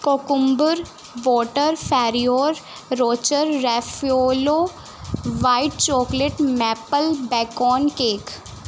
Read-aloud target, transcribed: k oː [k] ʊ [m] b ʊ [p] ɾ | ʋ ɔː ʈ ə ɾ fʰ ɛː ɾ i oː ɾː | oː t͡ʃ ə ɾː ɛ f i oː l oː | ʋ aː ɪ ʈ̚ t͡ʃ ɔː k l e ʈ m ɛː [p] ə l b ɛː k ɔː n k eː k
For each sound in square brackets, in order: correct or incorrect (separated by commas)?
correct, correct, incorrect, correct